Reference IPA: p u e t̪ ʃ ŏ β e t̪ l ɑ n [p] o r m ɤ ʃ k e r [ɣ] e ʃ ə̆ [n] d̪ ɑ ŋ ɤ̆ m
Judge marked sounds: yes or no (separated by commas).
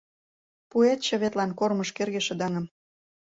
no, yes, no